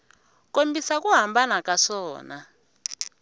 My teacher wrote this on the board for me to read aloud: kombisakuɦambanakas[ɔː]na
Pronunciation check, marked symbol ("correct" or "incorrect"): correct